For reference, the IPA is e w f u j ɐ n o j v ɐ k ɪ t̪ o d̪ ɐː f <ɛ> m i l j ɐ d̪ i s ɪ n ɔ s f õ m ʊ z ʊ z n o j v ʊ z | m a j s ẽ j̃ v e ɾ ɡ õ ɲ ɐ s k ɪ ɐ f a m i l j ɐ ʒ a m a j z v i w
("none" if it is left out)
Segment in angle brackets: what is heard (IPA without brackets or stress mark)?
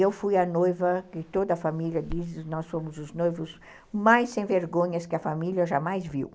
a